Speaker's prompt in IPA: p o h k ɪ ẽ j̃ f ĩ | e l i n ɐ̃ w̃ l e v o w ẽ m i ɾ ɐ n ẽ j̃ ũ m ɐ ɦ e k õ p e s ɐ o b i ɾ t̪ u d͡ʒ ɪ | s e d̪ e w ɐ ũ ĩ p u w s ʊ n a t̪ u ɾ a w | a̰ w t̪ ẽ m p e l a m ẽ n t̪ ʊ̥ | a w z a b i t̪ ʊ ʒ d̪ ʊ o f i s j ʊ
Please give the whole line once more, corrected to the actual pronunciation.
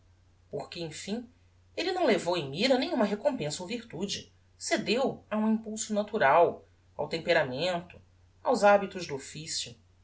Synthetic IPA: p o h k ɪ ẽ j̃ f ĩ | e l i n ɐ̃ w̃ l e v o w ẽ m i ɾ ɐ n ẽ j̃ ũ m ɐ ɦ e k õ p ẽ s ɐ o v i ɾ t̪ u d͡ʒ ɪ | s e d̪ e w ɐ ũ ĩ p u w s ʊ n a t̪ u ɾ a w | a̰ w t̪ ẽ m p e ɾ a m ẽ n t̪ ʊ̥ | a w z a b i t̪ ʊ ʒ d̪ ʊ o f i s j ʊ

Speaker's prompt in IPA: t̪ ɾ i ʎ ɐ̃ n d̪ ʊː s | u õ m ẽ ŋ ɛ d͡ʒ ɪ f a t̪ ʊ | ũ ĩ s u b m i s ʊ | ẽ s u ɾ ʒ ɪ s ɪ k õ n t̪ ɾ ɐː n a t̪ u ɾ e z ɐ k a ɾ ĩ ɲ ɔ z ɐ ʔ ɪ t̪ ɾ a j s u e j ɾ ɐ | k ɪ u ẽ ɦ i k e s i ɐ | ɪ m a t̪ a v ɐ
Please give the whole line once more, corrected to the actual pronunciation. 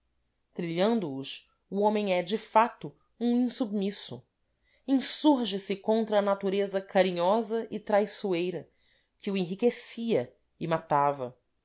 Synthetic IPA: t̪ ɾ i ʎ ɐ̃ n d̪ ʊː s | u õ m ẽ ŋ ɛ d͡ʒ ɪ f a t̪ ʊ | ũ ĩ s u b m i s ʊ | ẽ s u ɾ ʒ ɪ s ɪ k õ n t̪ ɾ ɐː n a t̪ u ɾ e z ɐ k a ɾ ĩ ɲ ɔ z ɐ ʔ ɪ t̪ ɾ a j s u e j ɾ ɐ | k ɪ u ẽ ɦ i k e s i ɐ | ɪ m a t̪ a v ɐ

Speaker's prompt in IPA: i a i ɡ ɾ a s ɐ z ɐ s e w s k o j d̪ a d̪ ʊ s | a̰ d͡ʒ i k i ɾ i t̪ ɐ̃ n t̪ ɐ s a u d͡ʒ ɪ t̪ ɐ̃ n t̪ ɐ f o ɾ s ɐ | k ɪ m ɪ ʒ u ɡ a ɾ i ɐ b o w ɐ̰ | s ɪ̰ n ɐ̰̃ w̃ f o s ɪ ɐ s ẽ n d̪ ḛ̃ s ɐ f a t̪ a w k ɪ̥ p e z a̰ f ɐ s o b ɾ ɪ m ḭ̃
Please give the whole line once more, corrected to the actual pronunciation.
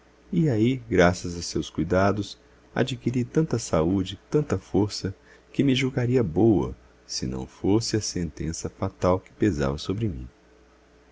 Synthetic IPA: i a i ɡ ɾ a s ɐ z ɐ s e w s k u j d̪ a d̪ ʊ s | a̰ d͡ʒ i k i ɾ i t̪ ɐ̃ n t̪ ɐ s a u d͡ʒ ɪ t̪ ɐ̃ n t̪ ɐ f o ɾ s ɐ | k ɪ m ɪ ʒ u ɡ a ɾ i ɐ b o w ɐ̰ | s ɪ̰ n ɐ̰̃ w̃ f o s ɪ ɐ s ẽ n t̪ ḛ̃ s ɐ f a t̪ a w k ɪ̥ p e z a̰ v ɐ s o b ɾ ɪ m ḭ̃

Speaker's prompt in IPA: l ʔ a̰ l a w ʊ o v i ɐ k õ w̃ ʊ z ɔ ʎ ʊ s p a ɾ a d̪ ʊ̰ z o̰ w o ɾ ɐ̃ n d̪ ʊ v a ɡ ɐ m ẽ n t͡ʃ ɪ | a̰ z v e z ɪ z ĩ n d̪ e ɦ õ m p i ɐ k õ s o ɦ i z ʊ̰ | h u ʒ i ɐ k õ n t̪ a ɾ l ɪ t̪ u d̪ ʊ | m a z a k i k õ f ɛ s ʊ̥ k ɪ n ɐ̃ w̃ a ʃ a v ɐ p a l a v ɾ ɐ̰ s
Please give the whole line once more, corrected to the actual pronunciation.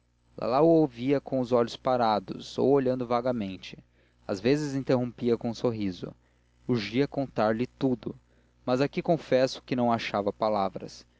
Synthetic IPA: l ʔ a̰ l a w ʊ o v i ɐ k õ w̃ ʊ z ɔ ʎ ʊ s p a ɾ a d̪ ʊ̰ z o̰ w o ʎ ɐ̃ n d̪ ʊ v a ɡ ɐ m ẽ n t͡ʃ ɪ | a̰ z v e z ɪ z ĩ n t̪ e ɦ õ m p i ɐ k õ s o ɦ i z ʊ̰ | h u ʒ i ɐ k õ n t̪ a ɾ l ɪ t̪ u d̪ ʊ | m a z a k i k õ f ɛ s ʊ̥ k ɪ n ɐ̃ w̃ a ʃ a v ɐ p a l a v ɾ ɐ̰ s

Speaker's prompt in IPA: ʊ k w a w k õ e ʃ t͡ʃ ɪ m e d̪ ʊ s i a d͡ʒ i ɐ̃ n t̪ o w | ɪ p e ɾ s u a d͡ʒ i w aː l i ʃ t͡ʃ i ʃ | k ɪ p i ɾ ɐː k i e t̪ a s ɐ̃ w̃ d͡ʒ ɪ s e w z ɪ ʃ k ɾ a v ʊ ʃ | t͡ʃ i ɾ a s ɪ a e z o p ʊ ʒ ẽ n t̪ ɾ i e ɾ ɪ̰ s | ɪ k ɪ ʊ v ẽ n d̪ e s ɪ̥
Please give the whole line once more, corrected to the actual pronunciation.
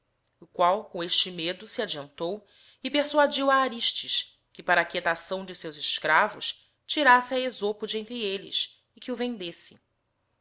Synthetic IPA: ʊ k w a w k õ e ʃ t͡ʃ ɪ m e d̪ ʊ s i a d͡ʒ i ɐ̃ n t̪ o w | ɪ p e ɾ s u a d͡ʒ i w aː ɾ i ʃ t͡ʃ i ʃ | k ɪ p a ɾ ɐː k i e t̪ a s ɐ̃ w̃ d͡ʒ ɪ s e w z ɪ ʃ k ɾ a v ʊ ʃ | t͡ʃ i ɾ a s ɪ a e z o p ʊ d͡ʒ ẽ n t̪ ɾ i e l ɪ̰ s | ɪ k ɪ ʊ v ẽ n d̪ e s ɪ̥

